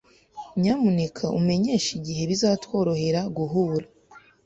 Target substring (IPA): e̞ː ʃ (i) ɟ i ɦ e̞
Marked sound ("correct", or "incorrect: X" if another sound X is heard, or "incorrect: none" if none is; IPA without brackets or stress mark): correct